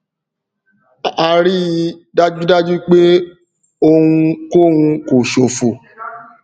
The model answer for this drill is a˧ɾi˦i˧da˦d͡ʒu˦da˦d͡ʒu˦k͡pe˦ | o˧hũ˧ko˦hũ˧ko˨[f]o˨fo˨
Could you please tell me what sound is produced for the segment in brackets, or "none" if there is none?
ʃ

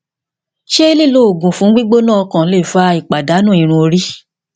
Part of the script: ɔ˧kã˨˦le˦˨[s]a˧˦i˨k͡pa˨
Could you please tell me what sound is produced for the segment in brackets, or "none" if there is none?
f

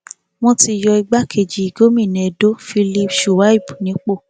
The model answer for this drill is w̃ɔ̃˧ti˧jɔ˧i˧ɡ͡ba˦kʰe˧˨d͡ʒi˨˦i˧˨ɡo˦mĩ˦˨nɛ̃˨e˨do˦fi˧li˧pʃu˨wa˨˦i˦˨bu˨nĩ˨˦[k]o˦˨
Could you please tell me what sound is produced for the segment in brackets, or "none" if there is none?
k͡p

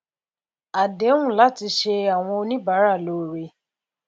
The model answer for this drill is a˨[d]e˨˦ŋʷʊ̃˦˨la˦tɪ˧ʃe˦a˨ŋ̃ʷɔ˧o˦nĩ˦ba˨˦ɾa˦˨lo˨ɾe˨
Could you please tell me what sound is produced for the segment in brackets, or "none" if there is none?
d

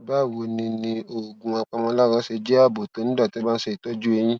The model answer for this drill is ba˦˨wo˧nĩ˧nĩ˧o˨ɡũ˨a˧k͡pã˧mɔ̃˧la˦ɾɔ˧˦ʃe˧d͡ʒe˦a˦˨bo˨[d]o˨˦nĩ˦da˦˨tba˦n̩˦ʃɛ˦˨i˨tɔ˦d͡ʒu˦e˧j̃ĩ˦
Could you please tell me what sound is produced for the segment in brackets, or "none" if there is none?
t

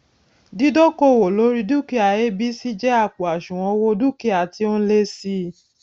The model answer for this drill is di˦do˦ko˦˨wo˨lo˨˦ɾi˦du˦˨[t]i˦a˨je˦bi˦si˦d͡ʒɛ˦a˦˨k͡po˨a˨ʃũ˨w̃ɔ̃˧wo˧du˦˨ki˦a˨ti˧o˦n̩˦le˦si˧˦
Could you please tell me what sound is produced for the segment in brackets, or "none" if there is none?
k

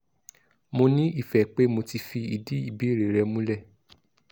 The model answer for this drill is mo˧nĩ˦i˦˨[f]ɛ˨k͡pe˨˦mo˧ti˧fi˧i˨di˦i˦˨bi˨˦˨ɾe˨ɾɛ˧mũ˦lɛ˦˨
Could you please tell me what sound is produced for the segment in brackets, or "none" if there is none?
f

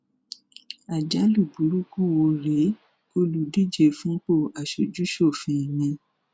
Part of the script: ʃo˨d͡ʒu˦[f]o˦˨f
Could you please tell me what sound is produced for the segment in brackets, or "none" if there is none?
ʃ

